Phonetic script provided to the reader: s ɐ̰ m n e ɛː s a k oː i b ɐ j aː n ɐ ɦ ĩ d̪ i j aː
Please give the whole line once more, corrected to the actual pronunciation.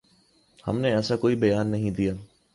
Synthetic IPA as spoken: h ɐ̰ m n e ɛː s a k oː i b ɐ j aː nː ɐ ɦ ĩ d̪ i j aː